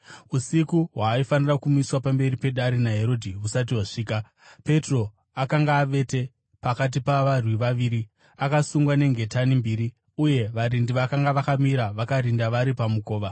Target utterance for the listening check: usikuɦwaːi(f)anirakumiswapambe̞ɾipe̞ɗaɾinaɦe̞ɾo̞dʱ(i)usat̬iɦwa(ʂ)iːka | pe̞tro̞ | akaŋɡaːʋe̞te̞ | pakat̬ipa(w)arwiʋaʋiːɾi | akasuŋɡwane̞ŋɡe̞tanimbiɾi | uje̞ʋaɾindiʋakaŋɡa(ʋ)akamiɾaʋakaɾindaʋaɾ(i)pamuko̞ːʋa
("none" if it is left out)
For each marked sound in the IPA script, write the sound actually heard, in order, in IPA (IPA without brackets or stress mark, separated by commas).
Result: f, i, ʂ, ʋ, ʋ, i